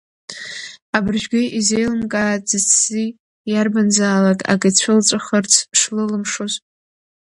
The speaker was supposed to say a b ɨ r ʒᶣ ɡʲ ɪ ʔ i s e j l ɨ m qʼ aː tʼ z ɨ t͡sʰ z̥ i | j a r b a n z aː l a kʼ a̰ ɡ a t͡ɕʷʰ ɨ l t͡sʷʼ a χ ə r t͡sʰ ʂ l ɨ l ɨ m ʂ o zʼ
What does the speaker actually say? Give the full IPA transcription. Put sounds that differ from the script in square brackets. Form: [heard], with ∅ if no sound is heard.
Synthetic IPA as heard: a b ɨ r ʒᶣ ɡʲ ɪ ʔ i [z] e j l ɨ m [kʼ] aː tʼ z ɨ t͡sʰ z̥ i | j a r b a n z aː l a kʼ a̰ ɡ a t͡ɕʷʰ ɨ l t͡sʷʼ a χ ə r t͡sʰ ʂ l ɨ l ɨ m ʂ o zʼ